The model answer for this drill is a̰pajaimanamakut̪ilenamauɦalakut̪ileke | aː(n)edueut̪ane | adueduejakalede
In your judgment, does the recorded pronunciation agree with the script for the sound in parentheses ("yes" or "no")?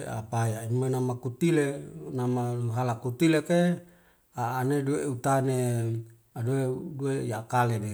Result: yes